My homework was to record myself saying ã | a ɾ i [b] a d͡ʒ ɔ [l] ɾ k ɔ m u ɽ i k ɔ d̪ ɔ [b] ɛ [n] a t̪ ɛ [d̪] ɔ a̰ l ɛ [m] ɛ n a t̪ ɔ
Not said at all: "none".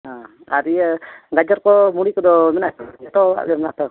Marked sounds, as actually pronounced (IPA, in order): ɡ, none, m, n, t̪, m

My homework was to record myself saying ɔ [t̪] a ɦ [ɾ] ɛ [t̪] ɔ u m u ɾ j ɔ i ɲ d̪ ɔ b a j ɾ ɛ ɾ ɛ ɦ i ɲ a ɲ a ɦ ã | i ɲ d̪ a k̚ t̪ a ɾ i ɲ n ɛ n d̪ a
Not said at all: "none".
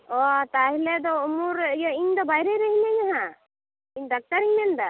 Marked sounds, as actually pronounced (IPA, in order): t̪, l, d̪

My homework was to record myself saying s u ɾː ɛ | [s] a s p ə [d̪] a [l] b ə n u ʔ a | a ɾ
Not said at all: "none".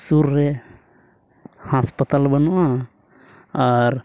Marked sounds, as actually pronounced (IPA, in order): h, t̪, l

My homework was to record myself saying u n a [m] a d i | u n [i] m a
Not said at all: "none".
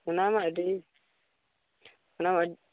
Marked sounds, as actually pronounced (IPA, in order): m, a

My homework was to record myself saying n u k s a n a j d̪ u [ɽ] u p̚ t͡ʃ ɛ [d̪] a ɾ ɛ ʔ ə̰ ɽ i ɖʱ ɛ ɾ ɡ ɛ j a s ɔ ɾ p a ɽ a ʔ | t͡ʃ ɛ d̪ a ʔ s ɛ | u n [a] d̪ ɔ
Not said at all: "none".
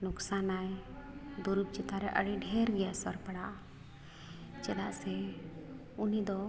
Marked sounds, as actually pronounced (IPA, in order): ɾ, t̪, i

